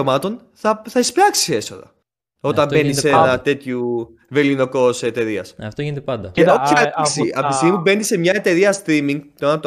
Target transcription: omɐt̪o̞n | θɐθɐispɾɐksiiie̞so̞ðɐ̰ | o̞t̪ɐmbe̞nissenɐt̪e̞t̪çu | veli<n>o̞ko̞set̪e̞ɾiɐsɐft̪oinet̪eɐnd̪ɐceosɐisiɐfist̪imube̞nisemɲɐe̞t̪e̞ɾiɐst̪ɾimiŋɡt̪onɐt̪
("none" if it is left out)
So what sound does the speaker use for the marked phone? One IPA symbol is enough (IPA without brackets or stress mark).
n